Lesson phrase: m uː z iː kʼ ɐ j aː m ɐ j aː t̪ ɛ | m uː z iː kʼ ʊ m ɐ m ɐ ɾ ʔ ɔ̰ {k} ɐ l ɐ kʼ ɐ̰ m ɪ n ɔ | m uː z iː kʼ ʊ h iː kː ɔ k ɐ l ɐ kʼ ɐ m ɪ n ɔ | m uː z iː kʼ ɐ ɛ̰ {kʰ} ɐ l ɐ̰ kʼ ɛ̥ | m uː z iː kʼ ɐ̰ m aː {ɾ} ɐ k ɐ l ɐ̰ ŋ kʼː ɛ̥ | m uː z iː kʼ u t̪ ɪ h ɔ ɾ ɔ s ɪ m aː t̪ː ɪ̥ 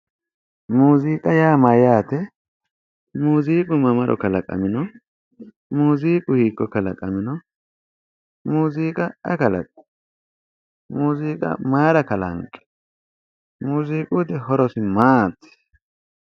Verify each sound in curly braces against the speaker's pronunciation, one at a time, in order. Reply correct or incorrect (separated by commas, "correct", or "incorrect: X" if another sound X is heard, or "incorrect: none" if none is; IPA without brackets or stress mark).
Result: correct, incorrect: k, correct